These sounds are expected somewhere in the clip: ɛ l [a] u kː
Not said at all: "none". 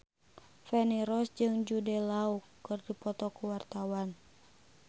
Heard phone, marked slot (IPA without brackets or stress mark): a